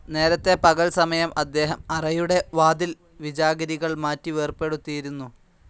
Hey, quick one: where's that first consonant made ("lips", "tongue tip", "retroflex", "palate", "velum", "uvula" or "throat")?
tongue tip